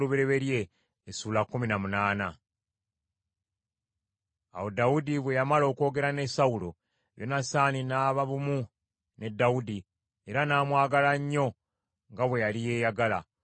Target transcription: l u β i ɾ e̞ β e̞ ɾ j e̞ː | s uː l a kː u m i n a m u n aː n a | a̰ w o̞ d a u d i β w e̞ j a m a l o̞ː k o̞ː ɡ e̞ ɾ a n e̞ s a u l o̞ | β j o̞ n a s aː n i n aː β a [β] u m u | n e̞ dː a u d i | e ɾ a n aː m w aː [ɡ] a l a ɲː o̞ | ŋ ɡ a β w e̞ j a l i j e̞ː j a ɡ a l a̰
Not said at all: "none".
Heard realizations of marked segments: β, ɡ

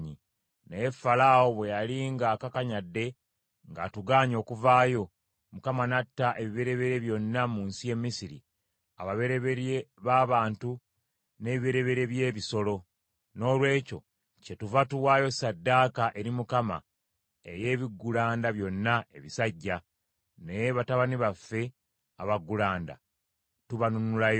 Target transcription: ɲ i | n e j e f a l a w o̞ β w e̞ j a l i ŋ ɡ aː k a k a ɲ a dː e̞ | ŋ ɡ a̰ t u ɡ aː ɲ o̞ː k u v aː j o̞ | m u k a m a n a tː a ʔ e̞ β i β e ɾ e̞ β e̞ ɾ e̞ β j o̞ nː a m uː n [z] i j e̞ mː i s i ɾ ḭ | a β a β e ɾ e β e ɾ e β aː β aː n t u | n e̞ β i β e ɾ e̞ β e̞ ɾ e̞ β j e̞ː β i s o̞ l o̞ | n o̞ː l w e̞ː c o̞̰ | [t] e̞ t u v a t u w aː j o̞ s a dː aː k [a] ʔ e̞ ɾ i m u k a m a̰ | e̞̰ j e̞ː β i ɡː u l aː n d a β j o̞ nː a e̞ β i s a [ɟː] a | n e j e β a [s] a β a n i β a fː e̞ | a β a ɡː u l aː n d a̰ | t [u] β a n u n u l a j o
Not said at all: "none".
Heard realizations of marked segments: s, c, a, ɟː, t, u

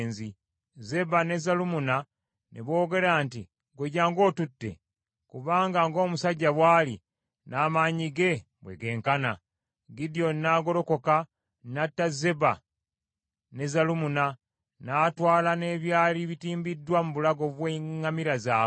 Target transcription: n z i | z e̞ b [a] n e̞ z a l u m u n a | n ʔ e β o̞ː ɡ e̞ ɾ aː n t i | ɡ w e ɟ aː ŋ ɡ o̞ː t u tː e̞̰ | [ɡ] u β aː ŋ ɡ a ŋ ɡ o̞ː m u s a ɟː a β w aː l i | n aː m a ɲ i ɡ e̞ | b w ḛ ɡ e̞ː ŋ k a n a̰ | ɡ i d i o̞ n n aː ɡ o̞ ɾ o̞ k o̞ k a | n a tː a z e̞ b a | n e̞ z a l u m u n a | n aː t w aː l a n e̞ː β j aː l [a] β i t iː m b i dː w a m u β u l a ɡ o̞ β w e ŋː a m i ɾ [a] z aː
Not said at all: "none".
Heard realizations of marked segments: a, k, i, a

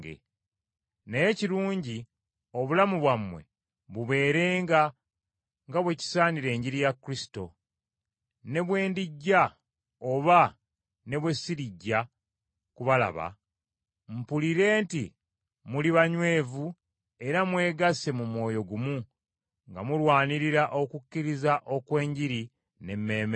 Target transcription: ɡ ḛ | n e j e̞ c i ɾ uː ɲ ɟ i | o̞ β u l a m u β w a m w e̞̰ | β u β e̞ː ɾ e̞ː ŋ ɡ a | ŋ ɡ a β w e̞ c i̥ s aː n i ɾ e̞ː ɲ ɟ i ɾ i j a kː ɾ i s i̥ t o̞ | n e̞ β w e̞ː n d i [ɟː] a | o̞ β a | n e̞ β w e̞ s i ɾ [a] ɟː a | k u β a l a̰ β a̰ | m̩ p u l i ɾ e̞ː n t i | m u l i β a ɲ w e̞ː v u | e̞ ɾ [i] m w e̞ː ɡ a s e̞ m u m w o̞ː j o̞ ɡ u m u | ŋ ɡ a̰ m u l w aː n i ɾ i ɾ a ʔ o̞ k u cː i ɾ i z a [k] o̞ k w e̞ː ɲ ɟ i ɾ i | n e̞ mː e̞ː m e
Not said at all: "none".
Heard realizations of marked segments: ɟː, i, a, ʔ

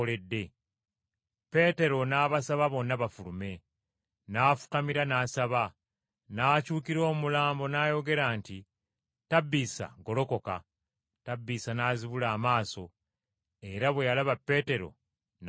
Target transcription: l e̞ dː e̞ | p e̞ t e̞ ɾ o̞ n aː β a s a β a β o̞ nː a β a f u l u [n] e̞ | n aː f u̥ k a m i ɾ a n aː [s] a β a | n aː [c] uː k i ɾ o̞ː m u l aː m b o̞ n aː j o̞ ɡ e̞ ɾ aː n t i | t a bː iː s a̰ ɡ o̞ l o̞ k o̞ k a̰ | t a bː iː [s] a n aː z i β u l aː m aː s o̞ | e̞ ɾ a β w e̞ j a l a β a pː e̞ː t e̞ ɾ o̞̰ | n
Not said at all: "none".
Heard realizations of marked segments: m, s, c, s

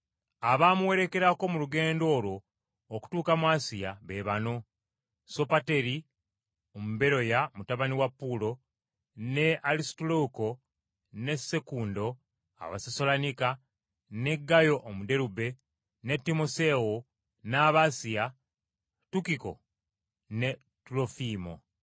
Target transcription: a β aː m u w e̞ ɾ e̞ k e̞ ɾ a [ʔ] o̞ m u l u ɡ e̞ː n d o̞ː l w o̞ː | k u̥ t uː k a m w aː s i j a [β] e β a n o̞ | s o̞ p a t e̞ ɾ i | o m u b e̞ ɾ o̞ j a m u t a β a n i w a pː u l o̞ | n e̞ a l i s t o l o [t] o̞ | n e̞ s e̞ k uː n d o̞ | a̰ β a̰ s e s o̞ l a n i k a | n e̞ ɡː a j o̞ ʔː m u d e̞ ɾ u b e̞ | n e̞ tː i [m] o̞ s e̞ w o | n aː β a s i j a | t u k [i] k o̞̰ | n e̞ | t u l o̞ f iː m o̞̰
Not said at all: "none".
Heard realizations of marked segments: k, β, k, m, i

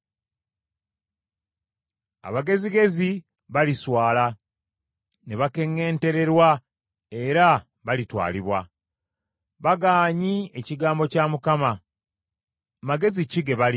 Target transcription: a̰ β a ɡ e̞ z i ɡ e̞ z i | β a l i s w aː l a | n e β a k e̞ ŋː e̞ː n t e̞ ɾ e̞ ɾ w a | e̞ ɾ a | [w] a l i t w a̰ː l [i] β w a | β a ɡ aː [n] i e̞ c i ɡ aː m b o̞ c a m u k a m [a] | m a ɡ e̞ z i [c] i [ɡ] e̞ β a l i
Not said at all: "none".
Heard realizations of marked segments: β, i, ɲ, a, c, ɡ

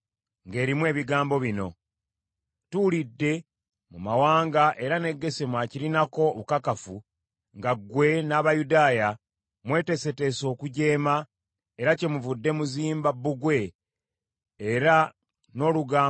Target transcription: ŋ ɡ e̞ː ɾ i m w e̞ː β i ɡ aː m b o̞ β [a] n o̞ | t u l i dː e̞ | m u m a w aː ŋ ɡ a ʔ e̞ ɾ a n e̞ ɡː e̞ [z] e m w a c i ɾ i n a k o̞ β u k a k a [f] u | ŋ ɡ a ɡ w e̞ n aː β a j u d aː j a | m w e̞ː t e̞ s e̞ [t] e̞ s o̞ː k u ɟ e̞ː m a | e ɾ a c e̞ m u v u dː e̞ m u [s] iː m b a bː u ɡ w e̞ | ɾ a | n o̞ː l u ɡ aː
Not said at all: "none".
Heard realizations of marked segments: i, s, f, t, z

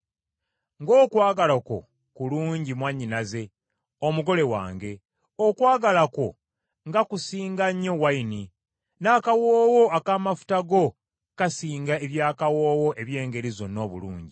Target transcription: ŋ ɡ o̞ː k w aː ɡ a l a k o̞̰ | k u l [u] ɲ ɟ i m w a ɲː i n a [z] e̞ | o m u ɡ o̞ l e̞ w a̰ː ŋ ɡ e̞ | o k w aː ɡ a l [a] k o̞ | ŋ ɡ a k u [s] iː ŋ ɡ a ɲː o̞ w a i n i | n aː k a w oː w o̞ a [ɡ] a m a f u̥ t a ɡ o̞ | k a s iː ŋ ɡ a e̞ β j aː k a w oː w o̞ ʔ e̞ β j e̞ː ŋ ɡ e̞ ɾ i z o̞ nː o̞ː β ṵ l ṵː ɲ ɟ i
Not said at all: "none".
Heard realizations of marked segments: uː, z, a, s, k

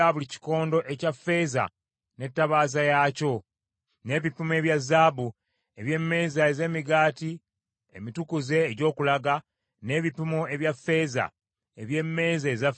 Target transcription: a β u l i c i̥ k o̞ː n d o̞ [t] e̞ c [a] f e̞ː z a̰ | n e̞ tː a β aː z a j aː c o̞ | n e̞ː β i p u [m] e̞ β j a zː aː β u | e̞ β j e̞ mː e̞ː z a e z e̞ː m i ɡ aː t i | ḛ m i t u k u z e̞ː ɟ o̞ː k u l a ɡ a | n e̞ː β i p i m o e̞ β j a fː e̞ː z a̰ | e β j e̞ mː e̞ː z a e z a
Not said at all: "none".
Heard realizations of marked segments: ʔ, a, m

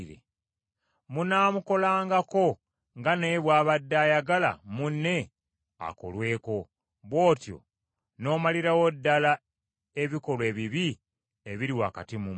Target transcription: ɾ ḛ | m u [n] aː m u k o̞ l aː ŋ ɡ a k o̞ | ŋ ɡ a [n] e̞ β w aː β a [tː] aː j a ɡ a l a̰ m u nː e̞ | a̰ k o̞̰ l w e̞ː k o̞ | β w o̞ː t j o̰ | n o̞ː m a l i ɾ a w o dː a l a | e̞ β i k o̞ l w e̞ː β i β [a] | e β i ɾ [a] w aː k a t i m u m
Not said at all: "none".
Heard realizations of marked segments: n, n, dː, i, i

